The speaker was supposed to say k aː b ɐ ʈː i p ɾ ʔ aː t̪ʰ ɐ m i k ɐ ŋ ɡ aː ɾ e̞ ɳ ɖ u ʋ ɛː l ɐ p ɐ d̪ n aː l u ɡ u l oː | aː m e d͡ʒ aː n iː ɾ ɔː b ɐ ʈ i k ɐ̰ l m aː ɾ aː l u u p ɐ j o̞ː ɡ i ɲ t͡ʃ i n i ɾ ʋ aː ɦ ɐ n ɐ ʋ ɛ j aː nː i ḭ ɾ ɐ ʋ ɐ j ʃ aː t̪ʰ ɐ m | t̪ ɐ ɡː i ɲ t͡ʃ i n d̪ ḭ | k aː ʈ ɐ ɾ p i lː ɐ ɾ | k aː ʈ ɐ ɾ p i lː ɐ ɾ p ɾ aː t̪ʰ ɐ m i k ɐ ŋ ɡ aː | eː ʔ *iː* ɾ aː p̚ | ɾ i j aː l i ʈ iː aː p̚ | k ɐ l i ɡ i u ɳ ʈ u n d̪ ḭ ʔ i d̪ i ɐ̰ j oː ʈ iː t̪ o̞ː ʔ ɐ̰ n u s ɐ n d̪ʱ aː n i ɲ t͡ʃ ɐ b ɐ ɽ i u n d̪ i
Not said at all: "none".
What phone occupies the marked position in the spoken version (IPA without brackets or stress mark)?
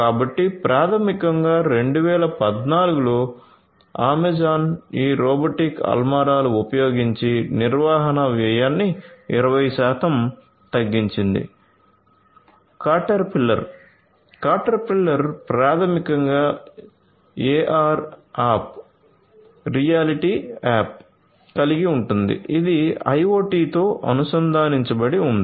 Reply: aː